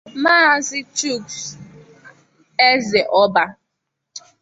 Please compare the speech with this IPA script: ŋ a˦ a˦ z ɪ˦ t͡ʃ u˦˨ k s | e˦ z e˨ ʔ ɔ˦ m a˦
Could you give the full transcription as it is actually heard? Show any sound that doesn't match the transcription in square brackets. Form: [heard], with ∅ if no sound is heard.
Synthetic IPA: [m] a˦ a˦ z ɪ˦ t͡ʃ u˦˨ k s | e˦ z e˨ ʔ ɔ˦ [b] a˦